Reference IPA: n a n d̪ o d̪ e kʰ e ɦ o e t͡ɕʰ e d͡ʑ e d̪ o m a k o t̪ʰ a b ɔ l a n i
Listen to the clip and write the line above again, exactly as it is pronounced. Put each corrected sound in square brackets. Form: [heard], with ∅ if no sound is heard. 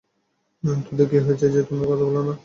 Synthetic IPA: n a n [t̪] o d̪ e [k] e ɦ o e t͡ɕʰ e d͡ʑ e [t̪] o m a k [ɔ] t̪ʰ a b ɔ l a n [a]